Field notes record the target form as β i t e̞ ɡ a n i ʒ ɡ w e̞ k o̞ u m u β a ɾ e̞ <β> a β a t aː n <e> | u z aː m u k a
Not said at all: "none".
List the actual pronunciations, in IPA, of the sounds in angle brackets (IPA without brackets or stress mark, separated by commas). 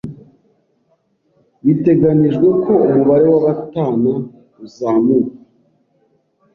w, a